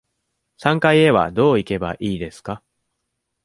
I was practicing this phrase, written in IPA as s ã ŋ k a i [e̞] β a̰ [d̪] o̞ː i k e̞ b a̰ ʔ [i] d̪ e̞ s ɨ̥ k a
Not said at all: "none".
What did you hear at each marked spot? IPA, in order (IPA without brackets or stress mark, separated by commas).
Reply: e̞, d̪, iː